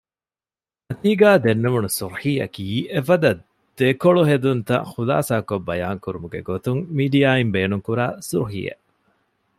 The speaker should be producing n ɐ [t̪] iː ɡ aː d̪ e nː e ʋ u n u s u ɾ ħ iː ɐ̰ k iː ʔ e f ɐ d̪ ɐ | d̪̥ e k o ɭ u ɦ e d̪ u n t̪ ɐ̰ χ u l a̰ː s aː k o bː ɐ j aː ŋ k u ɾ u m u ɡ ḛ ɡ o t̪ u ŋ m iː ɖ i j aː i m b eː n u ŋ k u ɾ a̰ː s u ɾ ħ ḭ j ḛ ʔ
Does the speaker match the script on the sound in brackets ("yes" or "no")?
yes